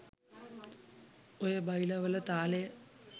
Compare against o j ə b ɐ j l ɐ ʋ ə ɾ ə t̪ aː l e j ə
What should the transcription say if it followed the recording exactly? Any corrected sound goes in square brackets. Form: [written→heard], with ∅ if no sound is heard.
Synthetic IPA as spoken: o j ə b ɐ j l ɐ ʋ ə [ɾ→l] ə t̪ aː l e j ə